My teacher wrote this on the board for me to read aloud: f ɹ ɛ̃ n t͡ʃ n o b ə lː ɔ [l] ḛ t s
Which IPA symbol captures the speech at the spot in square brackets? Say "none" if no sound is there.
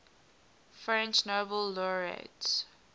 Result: ɹ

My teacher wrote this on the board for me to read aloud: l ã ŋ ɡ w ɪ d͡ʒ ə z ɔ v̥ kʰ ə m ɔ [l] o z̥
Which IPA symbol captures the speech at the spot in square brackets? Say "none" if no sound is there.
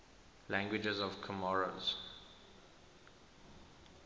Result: ɹ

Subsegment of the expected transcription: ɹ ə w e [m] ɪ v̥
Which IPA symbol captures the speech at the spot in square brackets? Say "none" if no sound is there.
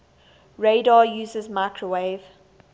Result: none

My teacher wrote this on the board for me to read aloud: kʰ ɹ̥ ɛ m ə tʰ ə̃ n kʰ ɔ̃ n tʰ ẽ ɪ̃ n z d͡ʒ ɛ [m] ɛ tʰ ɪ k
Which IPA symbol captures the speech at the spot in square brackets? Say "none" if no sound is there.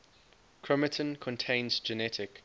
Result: n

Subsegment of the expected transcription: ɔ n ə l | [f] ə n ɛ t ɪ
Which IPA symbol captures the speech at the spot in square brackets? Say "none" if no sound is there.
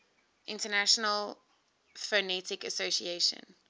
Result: f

